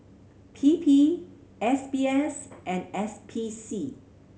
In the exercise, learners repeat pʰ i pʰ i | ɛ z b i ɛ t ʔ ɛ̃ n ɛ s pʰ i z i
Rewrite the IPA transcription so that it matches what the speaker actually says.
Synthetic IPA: pʰ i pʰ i | ɛ s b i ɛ s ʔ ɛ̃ n ɛ s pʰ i s i